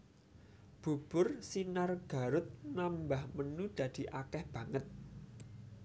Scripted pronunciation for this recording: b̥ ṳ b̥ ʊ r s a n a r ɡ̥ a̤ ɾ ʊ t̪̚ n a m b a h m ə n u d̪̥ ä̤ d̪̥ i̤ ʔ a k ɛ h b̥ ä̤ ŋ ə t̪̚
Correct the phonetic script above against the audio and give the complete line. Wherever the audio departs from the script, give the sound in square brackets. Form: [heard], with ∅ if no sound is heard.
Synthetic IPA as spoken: b̥ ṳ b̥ ʊ r s [i] n a r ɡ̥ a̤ ɾ ʊ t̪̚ n a m b a h m ə n u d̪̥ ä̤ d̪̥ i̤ ʔ a k ɛ h b̥ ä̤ ŋ ə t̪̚